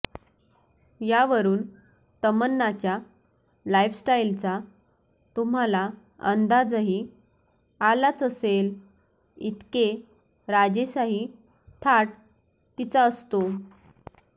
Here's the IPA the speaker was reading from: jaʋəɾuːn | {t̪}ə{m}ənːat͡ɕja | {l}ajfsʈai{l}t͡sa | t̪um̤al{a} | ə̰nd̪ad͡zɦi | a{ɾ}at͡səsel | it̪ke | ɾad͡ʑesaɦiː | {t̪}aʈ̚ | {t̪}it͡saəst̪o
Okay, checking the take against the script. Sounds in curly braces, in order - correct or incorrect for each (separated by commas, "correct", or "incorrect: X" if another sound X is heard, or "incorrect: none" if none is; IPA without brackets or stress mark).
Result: correct, correct, correct, correct, correct, incorrect: l, incorrect: t̪ʰ, correct